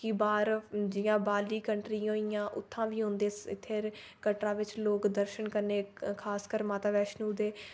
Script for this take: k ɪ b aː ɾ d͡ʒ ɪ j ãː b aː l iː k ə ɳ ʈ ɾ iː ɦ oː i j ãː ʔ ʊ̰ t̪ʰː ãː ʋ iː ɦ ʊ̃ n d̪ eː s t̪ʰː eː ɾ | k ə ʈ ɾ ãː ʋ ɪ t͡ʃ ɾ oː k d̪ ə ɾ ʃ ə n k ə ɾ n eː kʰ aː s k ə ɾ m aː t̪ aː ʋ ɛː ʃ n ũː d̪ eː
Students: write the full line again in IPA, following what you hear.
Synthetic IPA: k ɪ b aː ɾ d͡ʒ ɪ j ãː b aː l iː k ə ɳ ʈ ɾ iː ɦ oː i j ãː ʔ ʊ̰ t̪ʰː ãː ʋ iː ɦ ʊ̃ n d̪ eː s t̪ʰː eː ɾ | k ə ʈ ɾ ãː ʋ ɪ t͡ʃ l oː k d̪ ə ɾ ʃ ə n k ə ɾ n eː kʰ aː s k ə ɾ m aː t̪ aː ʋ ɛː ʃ n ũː d̪ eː